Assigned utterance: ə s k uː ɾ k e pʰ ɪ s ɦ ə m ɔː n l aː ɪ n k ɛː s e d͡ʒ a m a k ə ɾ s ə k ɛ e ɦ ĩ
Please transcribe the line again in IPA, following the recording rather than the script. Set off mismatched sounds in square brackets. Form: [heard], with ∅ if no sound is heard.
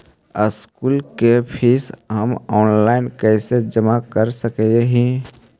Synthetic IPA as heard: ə s k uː [l] k e pʰ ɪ s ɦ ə m ɔː n l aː ɪ n k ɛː s e d͡ʒ [ə] m a k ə ɾ s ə k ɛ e ɦ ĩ